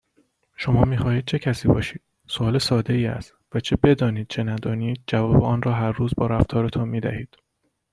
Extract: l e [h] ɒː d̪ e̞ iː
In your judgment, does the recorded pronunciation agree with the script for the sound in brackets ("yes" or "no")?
no